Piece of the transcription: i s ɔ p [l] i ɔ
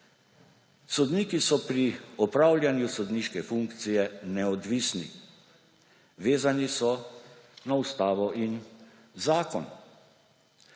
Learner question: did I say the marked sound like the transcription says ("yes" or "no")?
no